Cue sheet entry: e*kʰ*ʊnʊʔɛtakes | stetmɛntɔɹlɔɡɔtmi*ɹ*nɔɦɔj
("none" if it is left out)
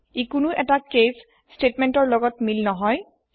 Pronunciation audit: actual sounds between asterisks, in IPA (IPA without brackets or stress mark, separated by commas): k, l